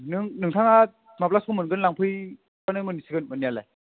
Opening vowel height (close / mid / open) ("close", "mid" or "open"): close